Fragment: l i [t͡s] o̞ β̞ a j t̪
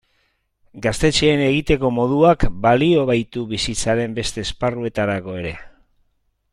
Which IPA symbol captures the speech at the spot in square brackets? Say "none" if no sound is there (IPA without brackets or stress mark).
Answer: none